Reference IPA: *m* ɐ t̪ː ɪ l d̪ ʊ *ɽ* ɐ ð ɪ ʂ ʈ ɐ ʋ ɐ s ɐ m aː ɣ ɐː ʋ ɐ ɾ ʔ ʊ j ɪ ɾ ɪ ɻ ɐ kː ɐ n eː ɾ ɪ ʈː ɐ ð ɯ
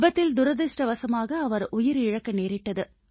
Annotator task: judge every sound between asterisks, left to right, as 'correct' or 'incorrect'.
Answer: incorrect: b, incorrect: ɾ

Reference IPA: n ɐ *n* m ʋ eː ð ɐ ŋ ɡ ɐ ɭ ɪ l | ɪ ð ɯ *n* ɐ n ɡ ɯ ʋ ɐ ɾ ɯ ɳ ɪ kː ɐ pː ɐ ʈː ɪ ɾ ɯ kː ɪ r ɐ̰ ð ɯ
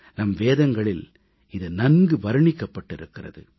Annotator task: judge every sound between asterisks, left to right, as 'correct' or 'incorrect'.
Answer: incorrect: none, correct

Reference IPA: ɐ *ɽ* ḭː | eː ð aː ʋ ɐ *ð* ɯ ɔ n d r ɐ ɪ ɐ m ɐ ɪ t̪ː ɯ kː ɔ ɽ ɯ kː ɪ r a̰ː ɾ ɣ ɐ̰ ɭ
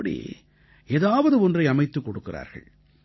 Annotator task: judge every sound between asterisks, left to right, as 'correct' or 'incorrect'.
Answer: correct, correct

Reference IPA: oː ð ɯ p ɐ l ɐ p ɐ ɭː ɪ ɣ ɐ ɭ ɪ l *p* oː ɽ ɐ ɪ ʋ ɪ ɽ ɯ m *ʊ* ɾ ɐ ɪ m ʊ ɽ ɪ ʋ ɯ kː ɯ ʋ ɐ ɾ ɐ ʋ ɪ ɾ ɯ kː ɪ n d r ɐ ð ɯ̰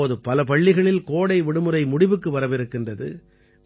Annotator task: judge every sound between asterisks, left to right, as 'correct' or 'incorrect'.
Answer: incorrect: k, incorrect: ɯ

